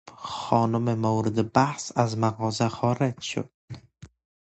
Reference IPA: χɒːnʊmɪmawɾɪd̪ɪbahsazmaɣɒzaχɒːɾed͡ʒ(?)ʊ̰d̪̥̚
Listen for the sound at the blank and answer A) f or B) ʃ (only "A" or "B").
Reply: B